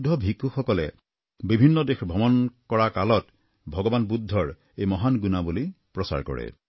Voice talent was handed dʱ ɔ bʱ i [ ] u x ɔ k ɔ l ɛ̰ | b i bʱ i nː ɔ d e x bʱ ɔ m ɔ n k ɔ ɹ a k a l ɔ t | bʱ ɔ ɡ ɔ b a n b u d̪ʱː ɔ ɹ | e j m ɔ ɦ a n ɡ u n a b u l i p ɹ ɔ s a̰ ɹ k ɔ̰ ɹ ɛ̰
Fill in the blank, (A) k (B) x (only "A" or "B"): A